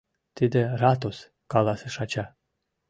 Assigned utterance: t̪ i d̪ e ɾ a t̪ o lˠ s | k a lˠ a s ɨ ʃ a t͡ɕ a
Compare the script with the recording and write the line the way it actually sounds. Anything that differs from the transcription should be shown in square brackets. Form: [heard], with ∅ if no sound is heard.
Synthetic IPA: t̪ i d̪ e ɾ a t̪ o [∅] s | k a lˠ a s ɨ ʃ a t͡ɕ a